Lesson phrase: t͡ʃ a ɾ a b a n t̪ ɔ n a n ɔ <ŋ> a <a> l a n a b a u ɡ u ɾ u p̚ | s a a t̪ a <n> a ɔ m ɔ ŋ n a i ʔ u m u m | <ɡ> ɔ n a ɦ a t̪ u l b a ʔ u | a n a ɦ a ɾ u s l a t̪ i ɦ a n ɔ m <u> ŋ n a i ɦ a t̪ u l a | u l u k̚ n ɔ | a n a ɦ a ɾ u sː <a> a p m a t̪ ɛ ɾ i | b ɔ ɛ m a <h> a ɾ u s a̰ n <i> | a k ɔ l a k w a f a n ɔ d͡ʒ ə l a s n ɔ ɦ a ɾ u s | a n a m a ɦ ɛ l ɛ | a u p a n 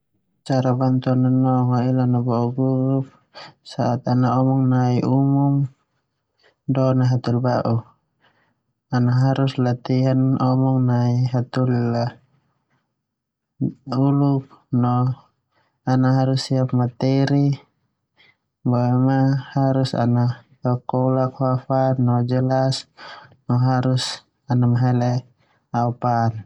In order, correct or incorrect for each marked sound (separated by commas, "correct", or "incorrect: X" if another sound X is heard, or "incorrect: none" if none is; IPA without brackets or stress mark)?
correct, incorrect: i, correct, incorrect: d, incorrect: ɔ, incorrect: i, correct, incorrect: a